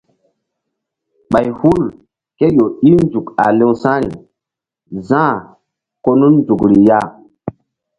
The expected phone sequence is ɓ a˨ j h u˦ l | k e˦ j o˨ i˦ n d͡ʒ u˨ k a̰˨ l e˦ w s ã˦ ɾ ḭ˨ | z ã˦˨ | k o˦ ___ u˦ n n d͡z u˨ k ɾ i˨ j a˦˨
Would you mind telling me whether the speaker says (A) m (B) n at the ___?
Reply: B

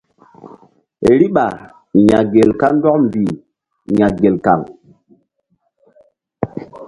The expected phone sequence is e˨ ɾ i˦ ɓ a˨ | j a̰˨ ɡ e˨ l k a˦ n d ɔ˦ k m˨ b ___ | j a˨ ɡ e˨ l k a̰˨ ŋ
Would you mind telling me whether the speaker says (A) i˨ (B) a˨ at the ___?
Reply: A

